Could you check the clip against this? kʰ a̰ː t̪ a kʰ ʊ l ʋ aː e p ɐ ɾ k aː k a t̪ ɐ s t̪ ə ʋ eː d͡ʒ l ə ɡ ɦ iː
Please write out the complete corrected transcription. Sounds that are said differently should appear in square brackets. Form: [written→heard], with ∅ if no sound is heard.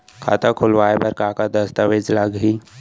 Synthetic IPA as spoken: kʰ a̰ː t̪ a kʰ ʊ l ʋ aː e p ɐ ɾ k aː k a [t̪→d̪] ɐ s t̪ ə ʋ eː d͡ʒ l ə ɡ ɦ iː